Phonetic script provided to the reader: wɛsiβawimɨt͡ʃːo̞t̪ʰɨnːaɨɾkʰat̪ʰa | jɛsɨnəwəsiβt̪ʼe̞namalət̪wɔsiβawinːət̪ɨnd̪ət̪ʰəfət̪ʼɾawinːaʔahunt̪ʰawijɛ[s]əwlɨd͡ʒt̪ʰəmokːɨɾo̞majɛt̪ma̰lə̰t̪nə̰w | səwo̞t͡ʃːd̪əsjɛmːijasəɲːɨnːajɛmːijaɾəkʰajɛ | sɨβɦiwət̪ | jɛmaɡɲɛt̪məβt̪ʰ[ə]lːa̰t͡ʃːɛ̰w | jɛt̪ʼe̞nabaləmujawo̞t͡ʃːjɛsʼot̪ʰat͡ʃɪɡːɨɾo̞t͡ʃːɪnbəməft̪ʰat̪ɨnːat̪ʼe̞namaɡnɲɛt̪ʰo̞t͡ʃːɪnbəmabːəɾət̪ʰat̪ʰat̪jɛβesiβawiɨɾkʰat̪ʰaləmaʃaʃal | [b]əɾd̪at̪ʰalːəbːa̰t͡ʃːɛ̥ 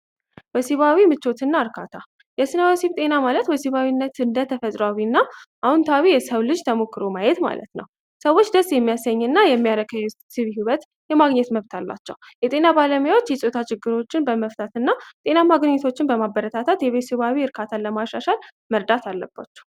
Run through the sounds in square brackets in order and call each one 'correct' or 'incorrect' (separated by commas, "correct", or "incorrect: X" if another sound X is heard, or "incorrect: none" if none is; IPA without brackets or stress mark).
correct, incorrect: a, incorrect: m